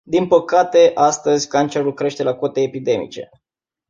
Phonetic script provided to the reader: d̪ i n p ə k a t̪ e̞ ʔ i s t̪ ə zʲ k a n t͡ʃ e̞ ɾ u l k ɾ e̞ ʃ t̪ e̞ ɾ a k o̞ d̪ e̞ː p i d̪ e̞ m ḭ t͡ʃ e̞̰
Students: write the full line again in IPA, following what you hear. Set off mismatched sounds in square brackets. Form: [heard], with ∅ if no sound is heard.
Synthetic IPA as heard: d̪ i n p ə k a t̪ e̞ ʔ [a] s t̪ ə zʲ k a n t͡ʃ e̞ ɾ u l k ɾ e̞ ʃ t̪ e̞ [l] a k o̞ [t̪] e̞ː p i d̪ e̞ m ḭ t͡ʃ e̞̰